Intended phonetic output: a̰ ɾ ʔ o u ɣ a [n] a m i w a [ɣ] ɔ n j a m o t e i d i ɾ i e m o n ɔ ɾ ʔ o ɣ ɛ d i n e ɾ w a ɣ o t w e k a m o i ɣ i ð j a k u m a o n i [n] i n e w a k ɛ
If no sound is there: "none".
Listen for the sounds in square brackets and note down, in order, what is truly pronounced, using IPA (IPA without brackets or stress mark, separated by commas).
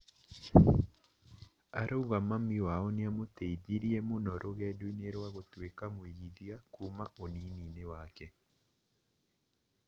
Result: m, none, n